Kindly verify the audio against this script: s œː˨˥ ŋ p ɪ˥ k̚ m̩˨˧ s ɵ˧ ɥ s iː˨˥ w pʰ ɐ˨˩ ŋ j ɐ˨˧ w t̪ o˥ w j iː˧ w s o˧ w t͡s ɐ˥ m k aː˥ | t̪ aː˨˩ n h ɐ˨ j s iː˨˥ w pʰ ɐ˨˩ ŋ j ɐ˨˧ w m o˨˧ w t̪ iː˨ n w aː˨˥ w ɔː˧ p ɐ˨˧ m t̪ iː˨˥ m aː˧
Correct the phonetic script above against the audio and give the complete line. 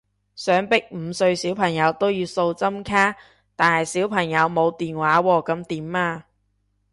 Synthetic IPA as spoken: s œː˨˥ ŋ p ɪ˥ k̚ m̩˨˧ s ɵ˧ ɥ s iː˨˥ w pʰ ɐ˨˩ ŋ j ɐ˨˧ w t̪ o˥ w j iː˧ w s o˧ w t͡s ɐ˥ m kʰ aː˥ | t̪ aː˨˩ n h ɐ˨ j s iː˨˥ w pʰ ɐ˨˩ ŋ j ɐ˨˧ w m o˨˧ w t̪ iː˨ n w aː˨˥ w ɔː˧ k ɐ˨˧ m t̪ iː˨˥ m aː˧